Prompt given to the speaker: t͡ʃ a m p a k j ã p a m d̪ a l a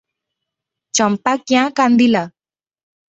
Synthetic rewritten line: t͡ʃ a m p a k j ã k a n d̪ i l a